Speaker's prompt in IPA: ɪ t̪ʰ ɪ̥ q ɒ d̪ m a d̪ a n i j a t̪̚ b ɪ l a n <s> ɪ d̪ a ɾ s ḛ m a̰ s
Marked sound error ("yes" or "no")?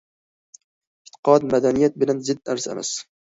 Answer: yes